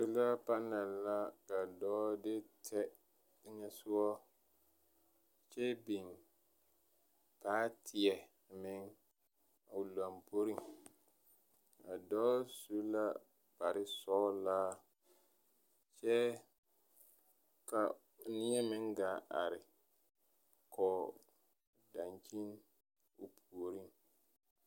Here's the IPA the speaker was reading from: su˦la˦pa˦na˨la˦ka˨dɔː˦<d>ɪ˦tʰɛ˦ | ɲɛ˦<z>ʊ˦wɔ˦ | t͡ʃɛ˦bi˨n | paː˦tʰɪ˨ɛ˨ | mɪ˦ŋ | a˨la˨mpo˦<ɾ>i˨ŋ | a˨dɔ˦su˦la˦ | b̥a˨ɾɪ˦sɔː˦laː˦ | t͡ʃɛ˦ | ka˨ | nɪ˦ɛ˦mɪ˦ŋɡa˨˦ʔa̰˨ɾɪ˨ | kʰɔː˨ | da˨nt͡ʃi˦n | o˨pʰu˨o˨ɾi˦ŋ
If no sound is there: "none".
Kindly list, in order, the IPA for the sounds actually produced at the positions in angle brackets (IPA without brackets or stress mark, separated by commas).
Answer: d, s, ɾ